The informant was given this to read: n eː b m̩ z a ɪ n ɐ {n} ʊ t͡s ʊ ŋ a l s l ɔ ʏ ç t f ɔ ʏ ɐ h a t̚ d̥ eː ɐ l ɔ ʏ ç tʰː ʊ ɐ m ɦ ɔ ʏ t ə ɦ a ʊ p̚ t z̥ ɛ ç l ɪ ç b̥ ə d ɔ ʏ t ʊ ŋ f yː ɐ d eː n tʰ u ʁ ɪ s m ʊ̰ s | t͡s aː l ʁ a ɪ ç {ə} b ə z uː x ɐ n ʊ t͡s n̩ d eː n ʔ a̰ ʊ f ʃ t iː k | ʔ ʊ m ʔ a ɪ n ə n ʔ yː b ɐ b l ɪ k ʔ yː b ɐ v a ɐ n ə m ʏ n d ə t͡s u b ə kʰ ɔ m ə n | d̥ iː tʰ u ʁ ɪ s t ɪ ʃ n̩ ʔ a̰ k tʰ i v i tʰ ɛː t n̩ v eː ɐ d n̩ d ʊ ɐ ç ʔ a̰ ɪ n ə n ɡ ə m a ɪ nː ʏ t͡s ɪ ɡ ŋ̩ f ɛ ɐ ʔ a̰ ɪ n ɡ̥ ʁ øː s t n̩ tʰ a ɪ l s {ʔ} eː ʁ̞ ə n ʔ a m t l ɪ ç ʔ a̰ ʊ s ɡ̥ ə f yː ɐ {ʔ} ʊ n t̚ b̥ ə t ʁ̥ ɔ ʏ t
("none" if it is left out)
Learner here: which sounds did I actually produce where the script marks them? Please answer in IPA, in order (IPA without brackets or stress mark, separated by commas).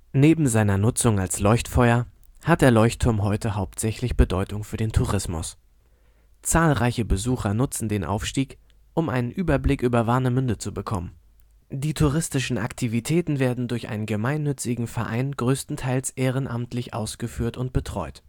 n, ə, ʔ, t